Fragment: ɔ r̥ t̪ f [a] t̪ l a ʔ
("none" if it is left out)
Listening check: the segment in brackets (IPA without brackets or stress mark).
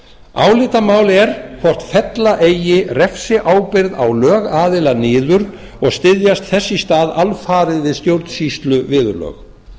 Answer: ɛ